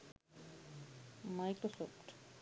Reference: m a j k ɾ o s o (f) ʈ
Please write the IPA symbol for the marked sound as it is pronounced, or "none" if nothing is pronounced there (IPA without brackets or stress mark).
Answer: f